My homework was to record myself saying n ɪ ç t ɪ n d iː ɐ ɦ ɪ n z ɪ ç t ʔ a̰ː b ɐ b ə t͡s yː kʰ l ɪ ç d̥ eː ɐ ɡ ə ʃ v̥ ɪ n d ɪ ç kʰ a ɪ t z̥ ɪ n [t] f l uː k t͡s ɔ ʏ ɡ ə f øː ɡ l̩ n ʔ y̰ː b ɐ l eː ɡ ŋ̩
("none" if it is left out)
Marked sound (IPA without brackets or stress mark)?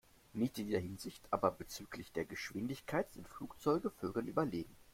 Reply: t